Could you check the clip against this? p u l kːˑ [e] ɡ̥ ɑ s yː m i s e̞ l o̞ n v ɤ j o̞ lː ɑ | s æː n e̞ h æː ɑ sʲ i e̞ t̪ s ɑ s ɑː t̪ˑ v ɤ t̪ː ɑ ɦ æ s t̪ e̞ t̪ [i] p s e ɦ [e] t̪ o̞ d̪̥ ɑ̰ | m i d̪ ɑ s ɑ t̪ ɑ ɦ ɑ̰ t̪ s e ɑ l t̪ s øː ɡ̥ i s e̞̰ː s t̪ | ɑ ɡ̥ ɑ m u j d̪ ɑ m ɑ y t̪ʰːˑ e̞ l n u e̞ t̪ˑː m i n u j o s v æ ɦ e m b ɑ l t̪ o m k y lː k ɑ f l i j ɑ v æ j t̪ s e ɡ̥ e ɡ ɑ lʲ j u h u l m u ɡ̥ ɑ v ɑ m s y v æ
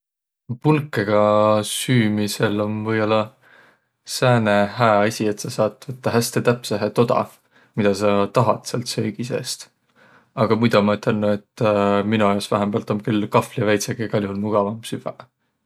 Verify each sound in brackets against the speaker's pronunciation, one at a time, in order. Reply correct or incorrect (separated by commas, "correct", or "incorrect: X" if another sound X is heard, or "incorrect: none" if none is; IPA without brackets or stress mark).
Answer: correct, incorrect: æ, correct